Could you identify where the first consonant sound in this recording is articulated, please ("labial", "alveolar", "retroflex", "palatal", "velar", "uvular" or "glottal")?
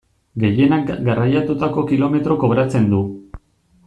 velar